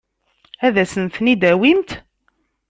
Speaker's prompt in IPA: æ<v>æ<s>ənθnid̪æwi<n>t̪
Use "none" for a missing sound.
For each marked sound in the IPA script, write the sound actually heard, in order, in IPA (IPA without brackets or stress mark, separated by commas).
ð, s, m